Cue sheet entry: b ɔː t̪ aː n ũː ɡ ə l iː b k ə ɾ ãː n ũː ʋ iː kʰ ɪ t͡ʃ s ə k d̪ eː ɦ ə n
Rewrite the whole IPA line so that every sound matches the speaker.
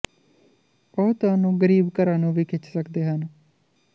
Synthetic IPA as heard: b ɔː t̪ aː n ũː ɡ ə ɾ iː b k ə ɾ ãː n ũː ʋ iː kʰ ɪ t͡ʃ s ə k d̪ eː ɦ ə n